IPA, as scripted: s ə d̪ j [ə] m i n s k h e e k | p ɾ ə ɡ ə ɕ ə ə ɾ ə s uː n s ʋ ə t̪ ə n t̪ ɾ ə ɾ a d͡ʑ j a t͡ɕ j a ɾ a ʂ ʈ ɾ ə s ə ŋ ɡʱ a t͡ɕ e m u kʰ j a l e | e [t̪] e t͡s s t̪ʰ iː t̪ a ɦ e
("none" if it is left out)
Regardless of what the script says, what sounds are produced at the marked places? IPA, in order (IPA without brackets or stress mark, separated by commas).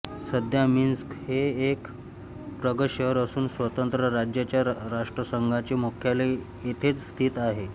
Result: a, t̪ʰ